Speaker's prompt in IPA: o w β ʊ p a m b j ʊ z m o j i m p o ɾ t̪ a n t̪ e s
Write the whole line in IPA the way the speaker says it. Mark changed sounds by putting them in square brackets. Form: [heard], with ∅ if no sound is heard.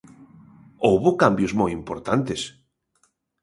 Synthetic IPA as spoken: o w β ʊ [k] a m b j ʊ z m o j i m p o ɾ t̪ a n t̪ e s